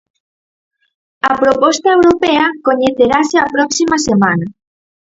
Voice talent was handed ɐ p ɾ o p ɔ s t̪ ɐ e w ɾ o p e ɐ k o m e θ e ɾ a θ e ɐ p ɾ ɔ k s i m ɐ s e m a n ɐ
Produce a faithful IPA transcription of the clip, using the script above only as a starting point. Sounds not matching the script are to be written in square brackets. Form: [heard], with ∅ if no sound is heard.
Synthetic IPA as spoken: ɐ p ɾ o p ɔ s t̪ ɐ e w ɾ o p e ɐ k o [ɲ] e θ e ɾ a [s] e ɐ p ɾ ɔ k s i m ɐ s e m a n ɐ